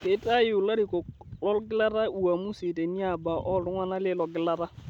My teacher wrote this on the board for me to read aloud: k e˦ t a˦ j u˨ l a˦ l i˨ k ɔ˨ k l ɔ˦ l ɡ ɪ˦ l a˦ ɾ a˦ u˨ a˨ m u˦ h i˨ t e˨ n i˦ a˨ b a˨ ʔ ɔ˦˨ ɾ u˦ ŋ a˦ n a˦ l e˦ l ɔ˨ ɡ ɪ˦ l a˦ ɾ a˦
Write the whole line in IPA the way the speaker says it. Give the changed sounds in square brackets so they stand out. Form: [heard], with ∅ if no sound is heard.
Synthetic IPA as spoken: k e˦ t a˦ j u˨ l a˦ [ɾ] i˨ k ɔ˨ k l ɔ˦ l ɡ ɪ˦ l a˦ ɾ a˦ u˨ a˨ m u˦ [s] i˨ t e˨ n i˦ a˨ b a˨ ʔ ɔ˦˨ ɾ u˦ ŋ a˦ n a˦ l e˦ l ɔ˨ ɡ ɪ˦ l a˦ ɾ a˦